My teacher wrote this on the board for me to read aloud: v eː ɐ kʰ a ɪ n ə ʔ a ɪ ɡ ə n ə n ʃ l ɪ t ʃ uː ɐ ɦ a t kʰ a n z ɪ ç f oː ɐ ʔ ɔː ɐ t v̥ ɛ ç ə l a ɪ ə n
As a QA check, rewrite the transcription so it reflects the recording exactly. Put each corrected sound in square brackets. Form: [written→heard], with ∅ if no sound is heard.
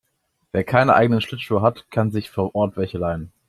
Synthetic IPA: v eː ɐ kʰ a ɪ n ə ʔ a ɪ ɡ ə n ə n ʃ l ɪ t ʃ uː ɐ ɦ a t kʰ a n z ɪ ç f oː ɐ ʔ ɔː ɐ t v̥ ɛ ç ə l a ɪ ə n